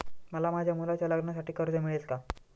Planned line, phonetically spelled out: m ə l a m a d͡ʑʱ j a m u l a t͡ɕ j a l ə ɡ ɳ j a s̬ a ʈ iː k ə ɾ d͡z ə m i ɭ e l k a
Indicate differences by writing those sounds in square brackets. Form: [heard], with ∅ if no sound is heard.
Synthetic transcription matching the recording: m ə l a m a d͡ʑʱ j a m u l a t͡ɕ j a l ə ɡ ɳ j a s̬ a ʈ iː k ə ɾ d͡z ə m i ɭ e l k a